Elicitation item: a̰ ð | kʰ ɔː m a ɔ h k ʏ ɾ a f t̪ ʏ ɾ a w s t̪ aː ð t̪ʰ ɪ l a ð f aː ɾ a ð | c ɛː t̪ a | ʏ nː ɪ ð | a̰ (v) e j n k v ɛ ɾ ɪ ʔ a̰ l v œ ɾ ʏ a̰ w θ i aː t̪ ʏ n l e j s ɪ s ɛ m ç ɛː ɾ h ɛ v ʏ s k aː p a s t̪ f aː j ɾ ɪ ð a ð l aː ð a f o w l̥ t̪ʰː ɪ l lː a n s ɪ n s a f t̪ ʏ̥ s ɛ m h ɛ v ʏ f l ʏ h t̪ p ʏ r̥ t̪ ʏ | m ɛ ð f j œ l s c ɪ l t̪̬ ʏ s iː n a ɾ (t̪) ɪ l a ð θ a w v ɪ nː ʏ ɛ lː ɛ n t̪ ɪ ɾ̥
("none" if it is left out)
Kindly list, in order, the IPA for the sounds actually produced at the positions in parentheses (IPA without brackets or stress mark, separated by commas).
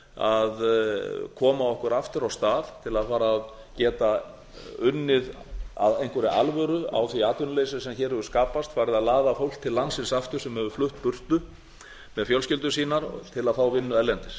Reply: ð, t̪ʰ